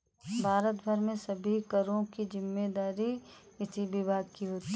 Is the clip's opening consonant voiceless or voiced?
voiced